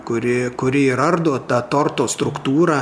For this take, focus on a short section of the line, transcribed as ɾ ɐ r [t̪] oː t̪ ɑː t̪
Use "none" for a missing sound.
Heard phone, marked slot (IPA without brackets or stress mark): d̪